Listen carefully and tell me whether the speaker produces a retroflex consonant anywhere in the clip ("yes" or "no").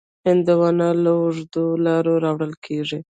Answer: yes